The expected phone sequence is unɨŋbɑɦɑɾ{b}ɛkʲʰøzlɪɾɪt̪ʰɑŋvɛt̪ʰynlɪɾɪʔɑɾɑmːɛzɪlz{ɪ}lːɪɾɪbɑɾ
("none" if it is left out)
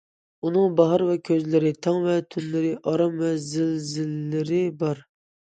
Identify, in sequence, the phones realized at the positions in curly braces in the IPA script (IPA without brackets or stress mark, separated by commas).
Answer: v, ɪ